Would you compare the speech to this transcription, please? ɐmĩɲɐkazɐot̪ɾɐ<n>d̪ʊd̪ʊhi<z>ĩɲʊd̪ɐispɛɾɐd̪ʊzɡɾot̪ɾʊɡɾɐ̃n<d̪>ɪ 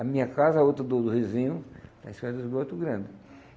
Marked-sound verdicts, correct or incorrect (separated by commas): incorrect, correct, correct